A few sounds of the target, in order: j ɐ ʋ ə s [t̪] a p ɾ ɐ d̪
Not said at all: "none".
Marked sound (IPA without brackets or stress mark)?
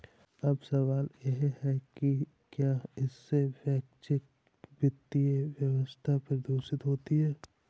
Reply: t̪ʰ